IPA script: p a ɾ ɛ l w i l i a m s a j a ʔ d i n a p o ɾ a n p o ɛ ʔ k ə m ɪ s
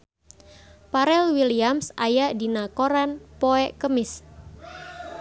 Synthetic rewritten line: p a ɾ ɛ l w i l i a m s a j a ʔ d i n a k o ɾ a n p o ɛ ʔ k ə m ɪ s

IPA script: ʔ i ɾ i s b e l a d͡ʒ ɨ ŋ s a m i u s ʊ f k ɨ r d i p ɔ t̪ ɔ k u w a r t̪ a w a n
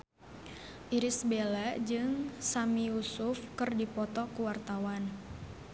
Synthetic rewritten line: ʔ i ɾ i s b e l a d͡ʒ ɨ ŋ s a m i u s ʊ f k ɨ r d i p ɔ t̪ ɔ k u w a r t̪ a w a n

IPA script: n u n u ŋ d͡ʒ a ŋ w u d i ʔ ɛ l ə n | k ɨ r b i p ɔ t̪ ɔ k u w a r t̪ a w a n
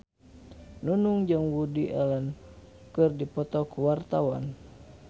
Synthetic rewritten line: n u n u ŋ d͡ʒ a ŋ w u d i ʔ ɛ l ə n | k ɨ r d i p ɔ t̪ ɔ k u w a r t̪ a w a n

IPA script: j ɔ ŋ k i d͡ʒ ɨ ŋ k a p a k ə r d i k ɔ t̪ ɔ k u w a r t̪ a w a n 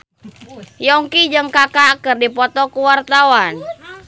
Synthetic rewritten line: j ɔ ŋ k i d͡ʒ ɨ ŋ k a k a k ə r d i p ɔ t̪ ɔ k u w a r t̪ a w a n

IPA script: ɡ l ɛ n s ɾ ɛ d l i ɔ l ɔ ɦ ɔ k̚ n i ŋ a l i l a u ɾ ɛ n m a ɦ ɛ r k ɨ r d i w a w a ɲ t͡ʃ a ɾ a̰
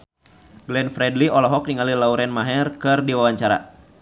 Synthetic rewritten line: ɡ l ɛ n f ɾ ɛ d l i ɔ l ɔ ɦ ɔ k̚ n i ŋ a l i l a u ɾ ɛ n m a ɦ ɛ r k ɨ r d i w a w a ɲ t͡ʃ a ɾ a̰

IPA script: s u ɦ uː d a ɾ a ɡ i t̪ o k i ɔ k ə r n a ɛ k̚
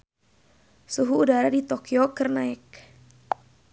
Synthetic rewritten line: s u ɦ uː d a ɾ a d i t̪ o k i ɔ k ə r n a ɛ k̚

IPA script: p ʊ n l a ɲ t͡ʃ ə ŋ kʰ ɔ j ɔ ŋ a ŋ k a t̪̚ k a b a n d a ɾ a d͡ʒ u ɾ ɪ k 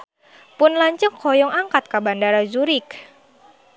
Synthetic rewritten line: p ʊ n l a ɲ t͡ʃ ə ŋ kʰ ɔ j ɔ ŋ a ŋ k a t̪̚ k a b a n d a ɾ a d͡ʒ u ɾ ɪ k

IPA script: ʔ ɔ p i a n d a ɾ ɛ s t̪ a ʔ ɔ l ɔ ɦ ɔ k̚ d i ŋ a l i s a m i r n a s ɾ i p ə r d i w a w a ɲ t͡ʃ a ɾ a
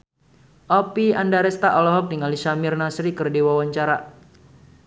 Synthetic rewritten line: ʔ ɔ p i a n d a ɾ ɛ s t̪ a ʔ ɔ l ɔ ɦ ɔ k̚ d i ŋ a l i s a m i r n a s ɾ i k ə r d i w a w a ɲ t͡ʃ a ɾ a

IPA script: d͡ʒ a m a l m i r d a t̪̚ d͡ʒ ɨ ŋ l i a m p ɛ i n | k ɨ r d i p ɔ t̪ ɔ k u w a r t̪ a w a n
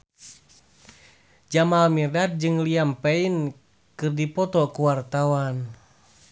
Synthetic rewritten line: d͡ʒ a m a l m i r d a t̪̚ d͡ʒ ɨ ŋ l i a m p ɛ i n | k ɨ r d i p ɔ t̪ ɔ k u w a r t̪ a w a n

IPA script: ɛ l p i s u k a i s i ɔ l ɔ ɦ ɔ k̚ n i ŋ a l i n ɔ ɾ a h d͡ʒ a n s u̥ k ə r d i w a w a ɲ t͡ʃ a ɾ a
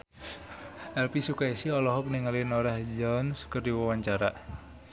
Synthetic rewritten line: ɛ l p i s u k a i s i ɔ l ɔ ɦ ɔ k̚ n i ŋ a l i n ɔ ɾ a h d͡ʒ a n s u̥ k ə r d i w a w a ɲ t͡ʃ a ɾ a

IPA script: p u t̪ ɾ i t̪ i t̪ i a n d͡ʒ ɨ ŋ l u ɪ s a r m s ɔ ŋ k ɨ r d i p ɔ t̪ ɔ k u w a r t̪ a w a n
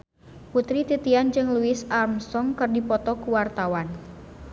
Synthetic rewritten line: p u t̪ ɾ i t̪ i t̪ i a n d͡ʒ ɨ ŋ l u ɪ s a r m s ɔ ŋ k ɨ r d i p ɔ t̪ ɔ k u w a r t̪ a w a n

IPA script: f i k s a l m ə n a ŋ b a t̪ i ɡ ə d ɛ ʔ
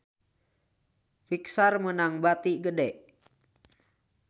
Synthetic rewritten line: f i k s a r m ə n a ŋ b a t̪ i ɡ ə d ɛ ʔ

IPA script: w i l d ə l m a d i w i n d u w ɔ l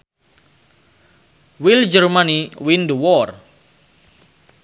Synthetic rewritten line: w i l d͡ʒ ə r m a n i w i n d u w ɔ r

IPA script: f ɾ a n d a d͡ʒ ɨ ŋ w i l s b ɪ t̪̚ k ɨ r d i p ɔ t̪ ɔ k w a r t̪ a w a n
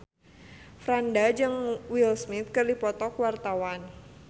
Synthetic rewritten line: f ɾ a n d a d͡ʒ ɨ ŋ w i l s m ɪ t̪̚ k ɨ r d i p ɔ t̪ ɔ k w a r t̪ a w a n

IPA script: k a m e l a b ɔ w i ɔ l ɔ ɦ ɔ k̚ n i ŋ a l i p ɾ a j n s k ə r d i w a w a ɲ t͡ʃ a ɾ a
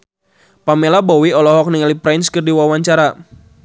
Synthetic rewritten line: p a m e l a b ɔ w i ɔ l ɔ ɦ ɔ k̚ n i ŋ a l i p ɾ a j n s k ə r d i w a w a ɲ t͡ʃ a ɾ a

